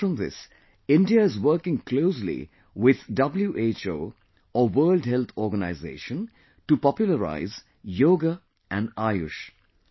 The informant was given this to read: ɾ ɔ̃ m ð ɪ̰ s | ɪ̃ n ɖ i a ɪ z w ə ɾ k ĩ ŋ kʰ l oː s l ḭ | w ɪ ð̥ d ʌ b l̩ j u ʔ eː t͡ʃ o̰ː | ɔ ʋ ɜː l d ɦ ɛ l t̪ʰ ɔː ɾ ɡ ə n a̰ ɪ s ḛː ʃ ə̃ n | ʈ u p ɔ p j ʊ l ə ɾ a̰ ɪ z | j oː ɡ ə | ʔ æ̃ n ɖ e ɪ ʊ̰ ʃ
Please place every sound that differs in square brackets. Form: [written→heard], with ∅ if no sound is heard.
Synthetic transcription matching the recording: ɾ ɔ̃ m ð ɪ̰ s | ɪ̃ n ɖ i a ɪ z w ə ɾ k [ĩ→ɪ̃] ŋ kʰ l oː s l ḭ | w ɪ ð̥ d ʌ b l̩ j u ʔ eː t͡ʃ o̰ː | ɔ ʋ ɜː l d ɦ ɛ l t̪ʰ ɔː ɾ ɡ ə n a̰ ɪ [s→z] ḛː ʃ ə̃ n | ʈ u p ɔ p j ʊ l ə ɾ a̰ ɪ z | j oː ɡ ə | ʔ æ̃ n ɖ [e→a] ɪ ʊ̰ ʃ

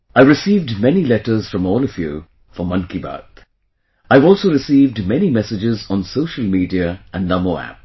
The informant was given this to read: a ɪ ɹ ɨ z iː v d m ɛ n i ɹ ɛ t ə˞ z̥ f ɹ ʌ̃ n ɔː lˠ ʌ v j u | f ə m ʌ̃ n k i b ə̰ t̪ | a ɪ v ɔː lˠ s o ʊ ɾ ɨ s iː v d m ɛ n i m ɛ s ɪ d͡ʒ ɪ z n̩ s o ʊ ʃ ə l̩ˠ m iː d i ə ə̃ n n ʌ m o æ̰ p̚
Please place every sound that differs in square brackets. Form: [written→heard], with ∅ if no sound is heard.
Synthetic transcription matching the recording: a ɪ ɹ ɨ [z→s] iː v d m ɛ n i [ɹ→l] ɛ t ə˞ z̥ f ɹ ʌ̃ [n→m] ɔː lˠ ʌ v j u | f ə m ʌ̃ n k i b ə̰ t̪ | a ɪ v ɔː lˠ s o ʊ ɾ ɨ s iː v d m ɛ n i m ɛ s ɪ d͡ʒ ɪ z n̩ s o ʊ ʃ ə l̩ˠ m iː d i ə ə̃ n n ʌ m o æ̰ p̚

